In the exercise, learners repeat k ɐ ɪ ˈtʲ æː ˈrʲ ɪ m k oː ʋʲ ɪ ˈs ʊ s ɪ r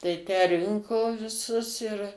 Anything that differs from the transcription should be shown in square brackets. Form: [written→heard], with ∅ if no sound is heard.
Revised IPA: [k→t] ɐ ɪ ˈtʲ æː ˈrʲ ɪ [m→ŋ] k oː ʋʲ ɪ ˈs ʊ s ɪ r